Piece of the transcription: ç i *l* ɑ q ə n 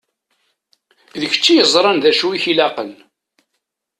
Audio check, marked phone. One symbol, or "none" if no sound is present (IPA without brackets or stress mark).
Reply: l